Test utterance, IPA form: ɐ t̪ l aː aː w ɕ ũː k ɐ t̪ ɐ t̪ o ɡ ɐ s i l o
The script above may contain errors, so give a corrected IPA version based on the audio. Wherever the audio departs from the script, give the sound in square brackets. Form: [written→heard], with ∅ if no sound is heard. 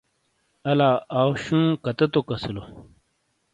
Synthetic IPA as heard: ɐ [t̪→∅] l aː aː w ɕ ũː k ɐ t̪ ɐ t̪ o [ɡ→k] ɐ s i l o